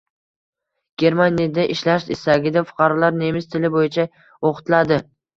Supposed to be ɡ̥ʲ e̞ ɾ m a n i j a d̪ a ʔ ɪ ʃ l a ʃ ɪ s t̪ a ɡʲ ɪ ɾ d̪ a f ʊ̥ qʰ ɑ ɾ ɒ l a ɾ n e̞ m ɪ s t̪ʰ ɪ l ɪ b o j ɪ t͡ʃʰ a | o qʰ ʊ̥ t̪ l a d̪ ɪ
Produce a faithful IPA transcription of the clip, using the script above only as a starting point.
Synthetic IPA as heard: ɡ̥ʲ e̞ ɾ m a n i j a d̪ a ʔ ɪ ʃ l a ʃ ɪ s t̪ a ɡʲ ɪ d̪ a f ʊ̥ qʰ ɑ ɾ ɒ l a ɾ n e̞ m ɪ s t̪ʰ ɪ l ɪ b o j ɪ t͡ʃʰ a | o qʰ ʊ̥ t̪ l a d̪ ɪ